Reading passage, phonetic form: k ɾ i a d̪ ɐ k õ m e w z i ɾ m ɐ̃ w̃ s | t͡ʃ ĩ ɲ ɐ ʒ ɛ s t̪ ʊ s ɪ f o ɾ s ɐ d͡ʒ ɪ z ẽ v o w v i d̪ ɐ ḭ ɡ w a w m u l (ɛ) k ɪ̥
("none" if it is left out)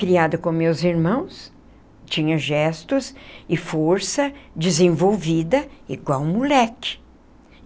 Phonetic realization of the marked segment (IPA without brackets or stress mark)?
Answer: ɛ